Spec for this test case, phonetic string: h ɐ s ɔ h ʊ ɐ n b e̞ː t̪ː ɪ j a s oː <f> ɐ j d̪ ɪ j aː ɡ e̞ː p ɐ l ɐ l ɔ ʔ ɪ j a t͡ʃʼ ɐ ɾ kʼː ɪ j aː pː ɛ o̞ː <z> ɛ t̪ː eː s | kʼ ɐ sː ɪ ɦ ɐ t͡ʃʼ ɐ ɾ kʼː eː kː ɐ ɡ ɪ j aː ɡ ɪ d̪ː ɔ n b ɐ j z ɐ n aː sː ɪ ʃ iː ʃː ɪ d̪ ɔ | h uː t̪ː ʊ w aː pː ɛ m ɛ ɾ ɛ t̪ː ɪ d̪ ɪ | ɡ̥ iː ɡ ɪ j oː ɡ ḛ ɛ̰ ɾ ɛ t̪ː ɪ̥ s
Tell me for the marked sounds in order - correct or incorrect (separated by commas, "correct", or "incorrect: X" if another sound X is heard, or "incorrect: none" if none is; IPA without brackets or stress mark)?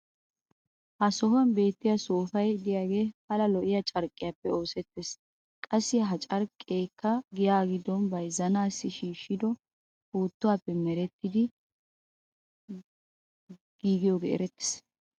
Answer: correct, incorrect: s